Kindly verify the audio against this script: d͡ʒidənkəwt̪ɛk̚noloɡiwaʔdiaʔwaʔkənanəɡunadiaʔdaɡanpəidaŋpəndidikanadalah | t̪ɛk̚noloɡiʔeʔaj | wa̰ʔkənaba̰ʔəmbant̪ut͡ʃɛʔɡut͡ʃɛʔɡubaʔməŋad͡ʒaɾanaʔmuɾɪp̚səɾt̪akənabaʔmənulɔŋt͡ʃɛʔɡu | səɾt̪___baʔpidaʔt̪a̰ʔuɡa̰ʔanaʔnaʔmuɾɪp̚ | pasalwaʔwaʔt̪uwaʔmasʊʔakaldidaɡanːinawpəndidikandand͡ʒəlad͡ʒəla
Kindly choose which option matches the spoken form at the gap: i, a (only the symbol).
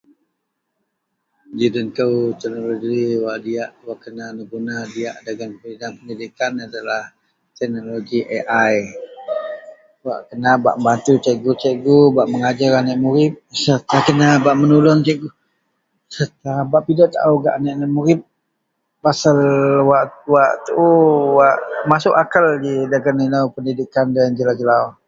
a